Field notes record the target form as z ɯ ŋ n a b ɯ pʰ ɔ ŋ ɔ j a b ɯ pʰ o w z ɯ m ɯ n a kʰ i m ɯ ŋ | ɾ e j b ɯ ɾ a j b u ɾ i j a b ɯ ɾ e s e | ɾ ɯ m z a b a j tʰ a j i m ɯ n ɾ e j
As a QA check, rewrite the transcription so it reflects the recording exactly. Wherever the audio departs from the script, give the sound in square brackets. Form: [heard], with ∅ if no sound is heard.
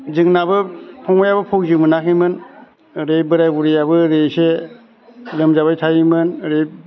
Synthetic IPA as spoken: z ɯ ŋ n a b ɯ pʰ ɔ ŋ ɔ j a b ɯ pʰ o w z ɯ m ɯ n a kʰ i m ɯ [n] | ɾ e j b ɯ ɾ a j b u ɾ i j a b ɯ ɾ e s e | [l] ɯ m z a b a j tʰ a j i m ɯ n ɾ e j